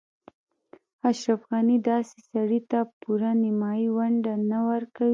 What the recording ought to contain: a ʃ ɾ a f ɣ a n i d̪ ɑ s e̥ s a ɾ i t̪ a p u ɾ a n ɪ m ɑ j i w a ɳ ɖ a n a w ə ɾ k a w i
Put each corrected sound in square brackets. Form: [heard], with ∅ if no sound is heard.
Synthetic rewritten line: a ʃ ɾ a f ɣ a n i d̪ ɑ s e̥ s a [ɽ] i t̪ a p u ɾ a n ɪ m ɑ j i w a ɳ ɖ a n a w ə ɾ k a w i